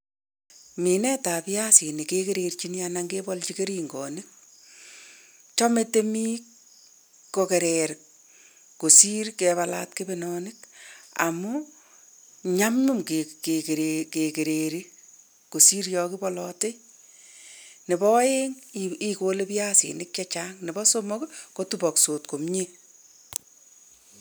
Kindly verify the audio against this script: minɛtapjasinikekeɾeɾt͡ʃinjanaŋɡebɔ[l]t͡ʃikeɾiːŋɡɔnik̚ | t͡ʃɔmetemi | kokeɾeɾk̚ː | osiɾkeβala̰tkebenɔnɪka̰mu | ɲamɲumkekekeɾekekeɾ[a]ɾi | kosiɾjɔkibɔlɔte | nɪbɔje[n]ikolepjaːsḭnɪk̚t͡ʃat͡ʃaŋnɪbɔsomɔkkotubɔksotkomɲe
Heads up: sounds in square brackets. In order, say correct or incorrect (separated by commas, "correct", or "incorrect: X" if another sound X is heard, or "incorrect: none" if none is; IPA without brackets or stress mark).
correct, incorrect: e, incorrect: ŋ